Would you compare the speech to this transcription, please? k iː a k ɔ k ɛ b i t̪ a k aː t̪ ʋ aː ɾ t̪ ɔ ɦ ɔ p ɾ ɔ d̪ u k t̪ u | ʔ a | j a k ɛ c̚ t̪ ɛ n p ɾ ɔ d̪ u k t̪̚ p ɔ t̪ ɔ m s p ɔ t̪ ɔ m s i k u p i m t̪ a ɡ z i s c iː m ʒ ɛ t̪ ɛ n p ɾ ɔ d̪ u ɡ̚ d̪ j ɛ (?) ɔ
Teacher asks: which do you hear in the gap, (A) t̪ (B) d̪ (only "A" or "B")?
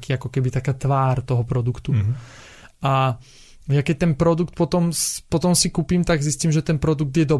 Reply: B